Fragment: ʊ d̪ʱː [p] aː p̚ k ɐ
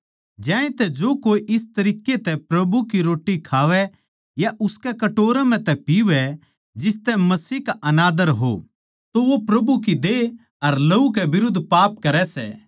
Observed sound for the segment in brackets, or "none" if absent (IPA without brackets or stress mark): p